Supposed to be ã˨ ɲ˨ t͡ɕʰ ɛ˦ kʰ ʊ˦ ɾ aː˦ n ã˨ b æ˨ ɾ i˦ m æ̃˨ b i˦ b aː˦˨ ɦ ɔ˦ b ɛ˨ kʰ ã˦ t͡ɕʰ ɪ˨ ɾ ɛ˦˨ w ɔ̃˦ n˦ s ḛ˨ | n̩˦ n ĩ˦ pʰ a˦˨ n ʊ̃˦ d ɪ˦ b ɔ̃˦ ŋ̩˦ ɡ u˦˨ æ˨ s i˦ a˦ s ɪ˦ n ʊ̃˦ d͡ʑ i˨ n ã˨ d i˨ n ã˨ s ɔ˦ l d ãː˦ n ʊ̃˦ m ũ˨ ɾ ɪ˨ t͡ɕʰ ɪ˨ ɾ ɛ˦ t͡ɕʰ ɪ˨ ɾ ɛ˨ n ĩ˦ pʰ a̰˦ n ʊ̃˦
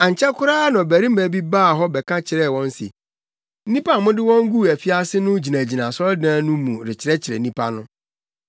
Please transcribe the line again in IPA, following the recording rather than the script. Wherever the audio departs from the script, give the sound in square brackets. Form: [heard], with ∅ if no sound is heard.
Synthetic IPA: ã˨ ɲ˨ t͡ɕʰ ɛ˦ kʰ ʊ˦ ɾ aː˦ n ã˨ b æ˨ ɾ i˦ m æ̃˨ b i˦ b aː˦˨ ɦ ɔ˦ b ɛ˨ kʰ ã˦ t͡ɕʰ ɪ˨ ɾ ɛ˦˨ w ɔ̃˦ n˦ s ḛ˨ | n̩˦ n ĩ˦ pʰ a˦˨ [m] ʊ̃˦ d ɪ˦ [w] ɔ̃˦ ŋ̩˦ ɡ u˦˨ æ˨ [f] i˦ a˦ s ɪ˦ n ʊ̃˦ d͡ʑ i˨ n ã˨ [d͡ʑ] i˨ n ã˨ s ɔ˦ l d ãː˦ n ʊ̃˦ m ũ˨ ɾ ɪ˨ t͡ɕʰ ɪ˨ ɾ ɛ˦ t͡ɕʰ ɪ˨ ɾ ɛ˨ n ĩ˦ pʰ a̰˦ n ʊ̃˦